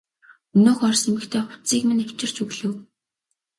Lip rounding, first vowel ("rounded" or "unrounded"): rounded